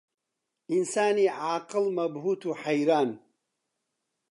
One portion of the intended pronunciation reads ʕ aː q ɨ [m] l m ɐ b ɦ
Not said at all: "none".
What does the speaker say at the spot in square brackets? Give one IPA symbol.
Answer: none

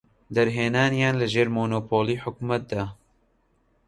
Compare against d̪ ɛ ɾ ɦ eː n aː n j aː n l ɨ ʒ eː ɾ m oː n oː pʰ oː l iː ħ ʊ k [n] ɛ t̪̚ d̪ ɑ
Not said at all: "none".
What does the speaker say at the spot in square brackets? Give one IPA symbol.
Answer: m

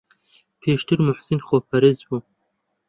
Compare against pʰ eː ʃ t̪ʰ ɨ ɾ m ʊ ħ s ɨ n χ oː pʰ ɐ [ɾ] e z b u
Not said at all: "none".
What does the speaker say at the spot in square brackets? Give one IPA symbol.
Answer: ɾ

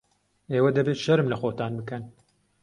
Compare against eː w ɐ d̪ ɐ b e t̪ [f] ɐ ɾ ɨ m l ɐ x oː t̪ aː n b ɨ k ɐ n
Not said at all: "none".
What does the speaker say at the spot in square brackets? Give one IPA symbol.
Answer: ʃ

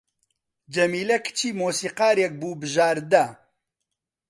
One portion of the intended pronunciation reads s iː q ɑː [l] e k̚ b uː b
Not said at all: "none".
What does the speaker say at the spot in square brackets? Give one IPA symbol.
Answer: ɾ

